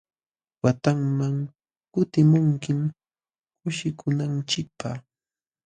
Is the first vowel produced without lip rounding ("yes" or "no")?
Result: yes